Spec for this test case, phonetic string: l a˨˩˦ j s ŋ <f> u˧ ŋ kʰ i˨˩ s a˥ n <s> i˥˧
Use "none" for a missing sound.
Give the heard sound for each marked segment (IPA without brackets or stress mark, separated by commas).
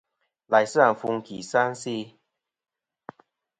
f, s